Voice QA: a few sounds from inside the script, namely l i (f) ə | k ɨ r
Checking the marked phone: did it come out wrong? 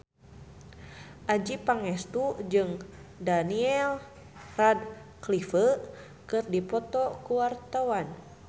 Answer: no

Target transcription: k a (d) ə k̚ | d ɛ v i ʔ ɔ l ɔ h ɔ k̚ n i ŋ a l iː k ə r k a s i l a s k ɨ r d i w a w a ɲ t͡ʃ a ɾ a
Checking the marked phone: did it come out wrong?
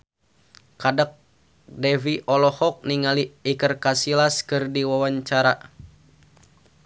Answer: no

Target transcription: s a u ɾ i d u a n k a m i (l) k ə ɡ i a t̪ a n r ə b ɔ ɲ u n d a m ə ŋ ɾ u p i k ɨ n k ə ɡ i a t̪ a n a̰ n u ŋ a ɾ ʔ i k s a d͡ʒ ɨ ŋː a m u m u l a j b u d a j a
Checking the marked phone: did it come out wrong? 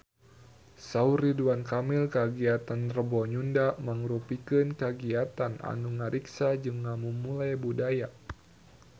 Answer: no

